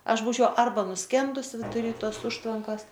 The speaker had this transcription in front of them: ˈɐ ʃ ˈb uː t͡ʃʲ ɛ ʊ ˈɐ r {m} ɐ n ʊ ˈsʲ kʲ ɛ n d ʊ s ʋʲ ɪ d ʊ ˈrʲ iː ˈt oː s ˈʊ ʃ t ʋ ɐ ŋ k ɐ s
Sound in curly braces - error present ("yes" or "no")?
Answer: yes